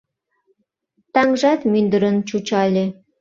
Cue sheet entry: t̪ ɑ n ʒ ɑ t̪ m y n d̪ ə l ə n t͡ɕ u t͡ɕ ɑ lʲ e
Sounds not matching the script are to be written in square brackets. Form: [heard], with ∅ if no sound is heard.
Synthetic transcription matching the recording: t̪ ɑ [ŋ] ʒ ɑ t̪ m y n d̪ ə [ɾ] ə n t͡ɕ u t͡ɕ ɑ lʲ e